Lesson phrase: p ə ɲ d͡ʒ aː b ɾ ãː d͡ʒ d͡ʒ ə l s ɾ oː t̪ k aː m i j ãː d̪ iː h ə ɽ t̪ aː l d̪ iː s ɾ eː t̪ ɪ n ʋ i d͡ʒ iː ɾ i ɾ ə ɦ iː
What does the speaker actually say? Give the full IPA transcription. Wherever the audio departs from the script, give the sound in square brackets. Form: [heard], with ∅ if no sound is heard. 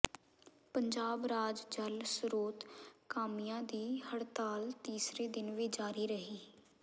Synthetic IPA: p ə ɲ d͡ʒ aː b ɾ [aː] d͡ʒ d͡ʒ ə l s ɾ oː t̪ k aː m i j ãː d̪ iː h ə ɽ t̪ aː l [t̪] iː s ɾ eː [d̪] ɪ n ʋ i d͡ʒ [aː] ɾ [iː] ɾ ə ɦ iː